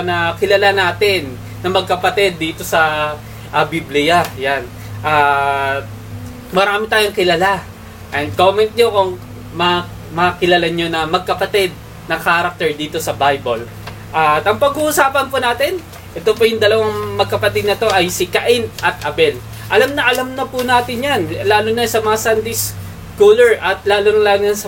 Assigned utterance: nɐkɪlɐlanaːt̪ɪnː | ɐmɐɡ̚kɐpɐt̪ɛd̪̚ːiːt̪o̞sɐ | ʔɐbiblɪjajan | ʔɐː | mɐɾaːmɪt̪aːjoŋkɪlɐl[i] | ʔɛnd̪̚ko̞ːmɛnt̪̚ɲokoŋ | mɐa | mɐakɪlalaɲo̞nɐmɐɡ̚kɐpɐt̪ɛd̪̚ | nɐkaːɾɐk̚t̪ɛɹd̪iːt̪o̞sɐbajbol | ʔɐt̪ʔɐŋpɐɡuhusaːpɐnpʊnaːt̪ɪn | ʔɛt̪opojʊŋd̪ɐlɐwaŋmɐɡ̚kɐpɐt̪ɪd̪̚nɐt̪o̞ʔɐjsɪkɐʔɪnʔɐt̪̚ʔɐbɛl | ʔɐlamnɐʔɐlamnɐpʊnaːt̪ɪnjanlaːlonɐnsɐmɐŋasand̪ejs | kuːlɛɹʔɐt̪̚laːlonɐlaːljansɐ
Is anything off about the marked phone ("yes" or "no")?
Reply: yes